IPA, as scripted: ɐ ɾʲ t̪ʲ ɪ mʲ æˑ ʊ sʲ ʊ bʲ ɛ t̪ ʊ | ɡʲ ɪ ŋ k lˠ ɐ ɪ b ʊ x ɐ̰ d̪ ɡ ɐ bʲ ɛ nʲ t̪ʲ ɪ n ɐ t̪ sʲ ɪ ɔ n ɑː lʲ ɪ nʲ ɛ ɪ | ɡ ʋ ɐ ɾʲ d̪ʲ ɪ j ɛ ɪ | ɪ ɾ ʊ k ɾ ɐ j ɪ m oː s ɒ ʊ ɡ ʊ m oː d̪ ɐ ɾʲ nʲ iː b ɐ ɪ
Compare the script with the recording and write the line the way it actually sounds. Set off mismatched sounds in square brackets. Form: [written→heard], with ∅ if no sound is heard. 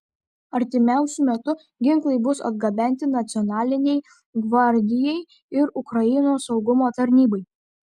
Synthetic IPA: ɐ ɾʲ t̪ʲ ɪ mʲ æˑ ʊ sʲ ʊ [bʲ→mʲ] ɛ t̪ ʊ | ɡʲ ɪ ŋ k lˠ ɐ ɪ b ʊ [x→s] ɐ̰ d̪ ɡ ɐ bʲ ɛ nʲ t̪ʲ ɪ n ɐ t̪ sʲ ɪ ɔ n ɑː lʲ ɪ nʲ ɛ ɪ | ɡ ʋ ɐ ɾʲ d̪ʲ ɪ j ɛ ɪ | ɪ ɾ ʊ k ɾ ɐ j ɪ [m→n] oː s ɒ ʊ ɡ ʊ m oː [d̪→t̪] ɐ ɾʲ nʲ iː b ɐ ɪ